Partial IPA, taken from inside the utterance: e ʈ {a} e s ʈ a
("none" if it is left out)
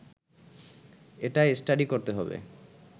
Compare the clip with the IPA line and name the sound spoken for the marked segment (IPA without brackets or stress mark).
a